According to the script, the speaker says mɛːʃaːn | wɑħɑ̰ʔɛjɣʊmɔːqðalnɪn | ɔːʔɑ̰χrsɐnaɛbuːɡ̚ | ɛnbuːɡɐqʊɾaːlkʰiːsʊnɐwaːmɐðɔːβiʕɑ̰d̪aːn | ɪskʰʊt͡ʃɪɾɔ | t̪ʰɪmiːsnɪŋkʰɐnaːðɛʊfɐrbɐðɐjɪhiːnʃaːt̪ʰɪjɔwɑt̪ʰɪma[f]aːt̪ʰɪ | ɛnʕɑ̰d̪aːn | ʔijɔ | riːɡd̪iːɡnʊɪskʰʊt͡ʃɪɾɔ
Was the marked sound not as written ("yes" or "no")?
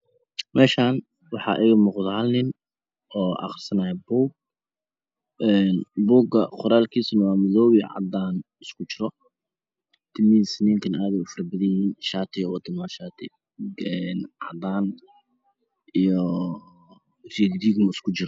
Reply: yes